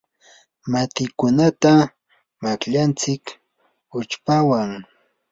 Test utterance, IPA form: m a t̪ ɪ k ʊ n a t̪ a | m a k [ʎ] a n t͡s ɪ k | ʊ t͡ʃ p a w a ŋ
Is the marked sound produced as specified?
yes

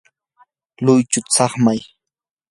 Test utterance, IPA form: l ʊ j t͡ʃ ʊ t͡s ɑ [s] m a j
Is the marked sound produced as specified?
no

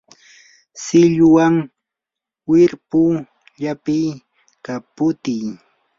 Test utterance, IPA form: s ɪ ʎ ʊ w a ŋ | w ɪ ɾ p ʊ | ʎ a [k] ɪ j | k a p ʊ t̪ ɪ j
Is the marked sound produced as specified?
no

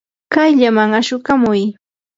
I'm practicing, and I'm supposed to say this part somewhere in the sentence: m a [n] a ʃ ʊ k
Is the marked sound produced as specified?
no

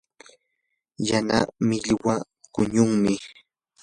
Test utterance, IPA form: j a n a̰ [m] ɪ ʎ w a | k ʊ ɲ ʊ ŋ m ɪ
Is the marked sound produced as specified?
yes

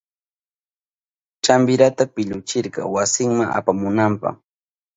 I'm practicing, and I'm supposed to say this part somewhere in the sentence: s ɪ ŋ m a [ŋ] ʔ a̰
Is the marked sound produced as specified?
yes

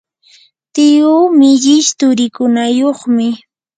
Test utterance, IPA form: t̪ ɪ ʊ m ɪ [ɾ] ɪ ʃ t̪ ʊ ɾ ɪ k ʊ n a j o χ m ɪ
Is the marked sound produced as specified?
no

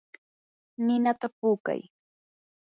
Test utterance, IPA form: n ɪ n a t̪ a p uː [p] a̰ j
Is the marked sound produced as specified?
no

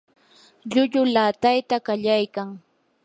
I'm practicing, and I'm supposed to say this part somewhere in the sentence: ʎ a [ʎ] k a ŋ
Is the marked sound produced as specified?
no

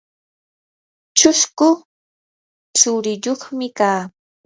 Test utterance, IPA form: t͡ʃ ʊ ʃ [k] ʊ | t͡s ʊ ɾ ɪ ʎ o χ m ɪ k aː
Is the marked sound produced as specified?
yes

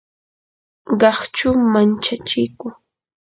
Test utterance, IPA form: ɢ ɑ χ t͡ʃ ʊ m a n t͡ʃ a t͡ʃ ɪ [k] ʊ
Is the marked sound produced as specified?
yes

